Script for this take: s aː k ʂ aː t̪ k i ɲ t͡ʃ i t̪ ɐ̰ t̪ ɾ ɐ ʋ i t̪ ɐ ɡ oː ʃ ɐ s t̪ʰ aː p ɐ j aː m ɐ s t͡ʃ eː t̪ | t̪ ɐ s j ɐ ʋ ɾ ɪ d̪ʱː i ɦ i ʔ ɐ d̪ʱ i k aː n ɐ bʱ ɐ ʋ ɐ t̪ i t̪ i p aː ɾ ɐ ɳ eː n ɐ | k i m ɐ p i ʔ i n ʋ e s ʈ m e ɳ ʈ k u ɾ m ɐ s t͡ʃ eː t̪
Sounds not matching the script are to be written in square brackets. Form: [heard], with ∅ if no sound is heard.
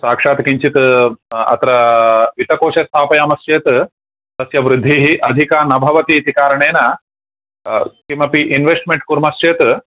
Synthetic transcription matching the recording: s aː k ʂ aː t̪ k i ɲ t͡ʃ i t̪ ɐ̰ t̪ ɾ ɐ ʋ i t̪ ɐ [k] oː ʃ ɐ s t̪ʰ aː p ɐ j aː m ɐ s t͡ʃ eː t̪ | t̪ ɐ s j ɐ ʋ ɾ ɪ d̪ʱː i ɦ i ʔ ɐ d̪ʱ i k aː n ɐ bʱ ɐ ʋ ɐ t̪ i t̪ i [k] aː ɾ ɐ ɳ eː n ɐ | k i m ɐ p i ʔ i n ʋ e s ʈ m e ɳ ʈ k u ɾ m ɐ s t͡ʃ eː t̪